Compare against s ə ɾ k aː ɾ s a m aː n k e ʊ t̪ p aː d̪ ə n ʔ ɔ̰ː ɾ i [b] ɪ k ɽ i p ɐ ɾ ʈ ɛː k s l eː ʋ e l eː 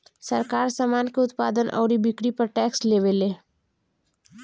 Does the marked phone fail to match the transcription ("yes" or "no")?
no